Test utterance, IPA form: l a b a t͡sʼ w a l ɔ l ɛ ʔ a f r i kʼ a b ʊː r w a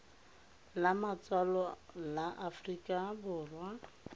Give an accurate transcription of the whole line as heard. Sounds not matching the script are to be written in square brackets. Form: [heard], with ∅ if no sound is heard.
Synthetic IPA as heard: l a [m] a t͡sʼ w a l ɔ l [a] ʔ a f r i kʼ a b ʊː r w a